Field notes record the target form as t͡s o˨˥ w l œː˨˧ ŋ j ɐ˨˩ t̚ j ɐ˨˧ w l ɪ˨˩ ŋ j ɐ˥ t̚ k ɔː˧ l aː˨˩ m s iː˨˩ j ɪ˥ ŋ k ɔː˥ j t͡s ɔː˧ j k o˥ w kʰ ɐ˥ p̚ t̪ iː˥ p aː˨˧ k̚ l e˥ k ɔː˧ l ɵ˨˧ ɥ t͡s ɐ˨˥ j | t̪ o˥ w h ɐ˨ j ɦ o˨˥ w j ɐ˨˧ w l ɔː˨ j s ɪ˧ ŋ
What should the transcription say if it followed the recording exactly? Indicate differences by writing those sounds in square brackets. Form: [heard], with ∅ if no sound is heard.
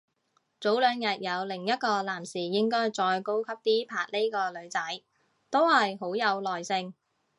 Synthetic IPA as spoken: t͡s o˨˥ w l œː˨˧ ŋ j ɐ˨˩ t̚ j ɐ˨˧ w l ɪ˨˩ ŋ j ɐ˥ t̚ k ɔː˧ l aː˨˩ m s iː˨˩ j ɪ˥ ŋ k ɔː˥ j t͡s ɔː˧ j k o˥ w kʰ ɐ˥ p̚ t̪ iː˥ [pʰ] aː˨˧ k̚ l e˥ k ɔː˧ l ɵ˨˧ ɥ t͡s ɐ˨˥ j | t̪ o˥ w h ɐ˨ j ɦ o˨˥ w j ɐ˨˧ w l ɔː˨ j s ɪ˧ ŋ